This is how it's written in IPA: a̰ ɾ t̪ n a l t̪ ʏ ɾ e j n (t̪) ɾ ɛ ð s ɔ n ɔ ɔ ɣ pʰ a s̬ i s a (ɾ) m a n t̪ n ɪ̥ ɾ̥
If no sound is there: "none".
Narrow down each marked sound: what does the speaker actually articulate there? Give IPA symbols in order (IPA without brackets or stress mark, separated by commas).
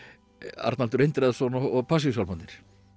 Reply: t̪, l